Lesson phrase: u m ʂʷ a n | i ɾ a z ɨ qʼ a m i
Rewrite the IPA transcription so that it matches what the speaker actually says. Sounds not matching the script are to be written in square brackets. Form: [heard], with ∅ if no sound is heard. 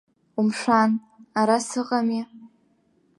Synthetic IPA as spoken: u m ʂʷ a n | [a] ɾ a [s] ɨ qʼ a m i